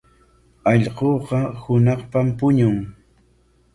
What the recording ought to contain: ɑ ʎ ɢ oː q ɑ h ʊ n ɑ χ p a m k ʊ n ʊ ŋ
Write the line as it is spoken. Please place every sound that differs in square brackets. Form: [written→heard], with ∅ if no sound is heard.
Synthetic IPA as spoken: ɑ ʎ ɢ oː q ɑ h ʊ n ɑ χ p a m [k→p] ʊ [n→ɲ] ʊ ŋ